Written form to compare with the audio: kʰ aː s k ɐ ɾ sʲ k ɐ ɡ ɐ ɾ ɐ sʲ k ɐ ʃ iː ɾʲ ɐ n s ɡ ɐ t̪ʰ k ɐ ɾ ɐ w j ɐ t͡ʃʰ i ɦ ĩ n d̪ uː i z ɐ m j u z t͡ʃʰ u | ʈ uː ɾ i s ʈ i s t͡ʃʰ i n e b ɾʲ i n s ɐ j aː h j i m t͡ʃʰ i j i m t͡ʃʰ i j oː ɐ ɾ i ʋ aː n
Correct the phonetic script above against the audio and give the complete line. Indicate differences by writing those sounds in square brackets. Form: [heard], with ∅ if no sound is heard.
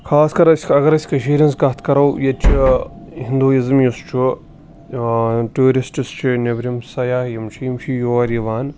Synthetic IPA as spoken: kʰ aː s k ɐ ɾ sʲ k ɐ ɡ ɐ ɾ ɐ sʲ k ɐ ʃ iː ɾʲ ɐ n s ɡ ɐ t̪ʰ k ɐ ɾ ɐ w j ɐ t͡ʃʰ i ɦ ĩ n d̪ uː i z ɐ m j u [s] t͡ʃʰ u | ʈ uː ɾ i s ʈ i s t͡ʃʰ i n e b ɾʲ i [m] s ɐ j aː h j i m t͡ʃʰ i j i m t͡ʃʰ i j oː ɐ ɾ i ʋ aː n